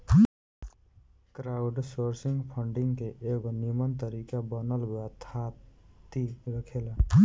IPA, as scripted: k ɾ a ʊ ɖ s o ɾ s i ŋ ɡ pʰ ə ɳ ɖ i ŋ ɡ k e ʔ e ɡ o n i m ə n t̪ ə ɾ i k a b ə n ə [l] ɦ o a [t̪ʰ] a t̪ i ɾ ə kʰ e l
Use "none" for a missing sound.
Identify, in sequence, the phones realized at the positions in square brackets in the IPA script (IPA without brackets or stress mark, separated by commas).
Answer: l, t̪ʰ